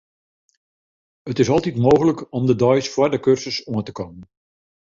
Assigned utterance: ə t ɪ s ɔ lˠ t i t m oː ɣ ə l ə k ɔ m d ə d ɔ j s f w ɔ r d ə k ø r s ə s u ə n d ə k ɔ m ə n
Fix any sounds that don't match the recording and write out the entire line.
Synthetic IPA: ə t ɪ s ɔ lˠ t i t m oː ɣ ə l ə k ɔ m d ə d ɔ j s f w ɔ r d ə k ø r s ə s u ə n t ə k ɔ m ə n